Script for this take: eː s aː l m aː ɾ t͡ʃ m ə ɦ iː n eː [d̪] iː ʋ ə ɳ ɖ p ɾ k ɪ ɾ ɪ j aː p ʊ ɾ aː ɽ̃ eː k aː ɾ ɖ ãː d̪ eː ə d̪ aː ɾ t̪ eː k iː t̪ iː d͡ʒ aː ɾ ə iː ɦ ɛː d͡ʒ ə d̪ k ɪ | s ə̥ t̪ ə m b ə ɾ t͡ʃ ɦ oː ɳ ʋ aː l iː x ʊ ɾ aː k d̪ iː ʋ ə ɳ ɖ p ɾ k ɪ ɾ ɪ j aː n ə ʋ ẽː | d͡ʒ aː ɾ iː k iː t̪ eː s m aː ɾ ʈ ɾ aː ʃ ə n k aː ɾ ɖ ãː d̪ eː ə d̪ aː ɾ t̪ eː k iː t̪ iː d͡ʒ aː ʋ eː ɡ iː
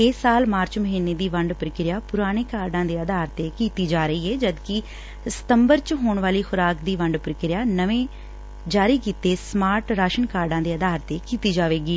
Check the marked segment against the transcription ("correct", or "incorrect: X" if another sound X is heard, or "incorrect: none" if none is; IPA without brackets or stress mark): correct